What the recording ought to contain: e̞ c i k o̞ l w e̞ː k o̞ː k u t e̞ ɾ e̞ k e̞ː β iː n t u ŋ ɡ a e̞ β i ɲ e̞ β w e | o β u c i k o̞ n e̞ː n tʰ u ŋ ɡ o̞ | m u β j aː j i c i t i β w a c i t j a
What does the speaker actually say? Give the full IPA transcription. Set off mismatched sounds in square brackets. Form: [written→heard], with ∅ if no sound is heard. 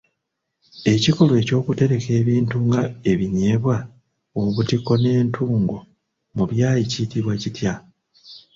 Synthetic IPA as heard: e̞ c i k o̞ l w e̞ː [k→c] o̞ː k u t e̞ ɾ e̞ k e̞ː β iː n t u ŋ ɡ a e̞ β i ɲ e̞ β w [e→a] | o β u [c→t] i k o̞ n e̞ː n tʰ [u→uː] ŋ ɡ o̞ | m u β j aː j i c i t i β w a c i t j a